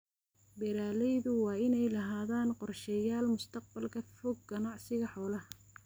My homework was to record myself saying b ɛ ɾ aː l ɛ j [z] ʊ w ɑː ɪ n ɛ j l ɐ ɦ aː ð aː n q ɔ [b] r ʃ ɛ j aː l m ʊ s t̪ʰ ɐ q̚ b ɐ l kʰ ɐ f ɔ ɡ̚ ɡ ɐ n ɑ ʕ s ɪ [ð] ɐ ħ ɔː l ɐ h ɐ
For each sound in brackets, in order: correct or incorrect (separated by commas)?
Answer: incorrect, incorrect, incorrect